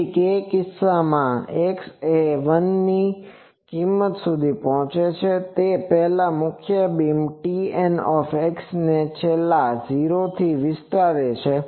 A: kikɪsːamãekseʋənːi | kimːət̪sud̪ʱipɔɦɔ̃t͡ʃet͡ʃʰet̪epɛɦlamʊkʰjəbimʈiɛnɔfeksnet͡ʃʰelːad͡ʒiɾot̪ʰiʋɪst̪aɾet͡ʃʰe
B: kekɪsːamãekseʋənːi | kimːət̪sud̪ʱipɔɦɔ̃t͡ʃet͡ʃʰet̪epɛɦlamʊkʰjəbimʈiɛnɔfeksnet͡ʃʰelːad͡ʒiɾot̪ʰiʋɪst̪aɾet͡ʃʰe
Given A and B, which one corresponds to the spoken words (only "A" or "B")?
B